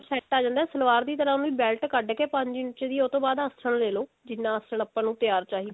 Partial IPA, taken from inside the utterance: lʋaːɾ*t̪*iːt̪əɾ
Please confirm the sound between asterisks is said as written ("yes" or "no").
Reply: no